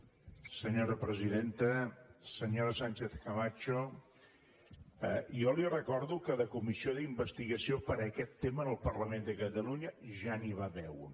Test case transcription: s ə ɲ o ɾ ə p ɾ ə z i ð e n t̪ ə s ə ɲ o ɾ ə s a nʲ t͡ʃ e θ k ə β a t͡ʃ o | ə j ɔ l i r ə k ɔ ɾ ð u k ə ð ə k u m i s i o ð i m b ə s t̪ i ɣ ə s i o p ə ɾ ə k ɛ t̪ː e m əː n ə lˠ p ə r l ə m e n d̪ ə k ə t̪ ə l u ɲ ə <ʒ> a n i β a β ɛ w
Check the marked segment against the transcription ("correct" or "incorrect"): correct